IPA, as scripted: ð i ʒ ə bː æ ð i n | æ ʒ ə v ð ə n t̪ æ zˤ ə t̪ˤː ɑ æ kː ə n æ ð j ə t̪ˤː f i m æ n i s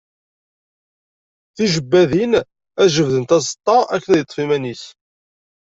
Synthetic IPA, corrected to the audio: θ i ʒ ə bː æ ð i n | æ ʒ ə v ð ə n t̪ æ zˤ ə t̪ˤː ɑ æ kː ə n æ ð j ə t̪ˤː f i m æ n i s